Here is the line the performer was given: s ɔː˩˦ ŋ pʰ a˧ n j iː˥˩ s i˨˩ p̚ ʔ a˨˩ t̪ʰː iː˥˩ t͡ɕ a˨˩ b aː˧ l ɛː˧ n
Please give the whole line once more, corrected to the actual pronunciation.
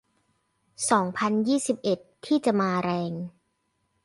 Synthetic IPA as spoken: s ɔː˩˦ ŋ pʰ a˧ n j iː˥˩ s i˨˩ p̚ ʔ e˨˩ t̪ʰː iː˥˩ t͡ɕ a˨˩ m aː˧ ɾ ɛː˧ ŋ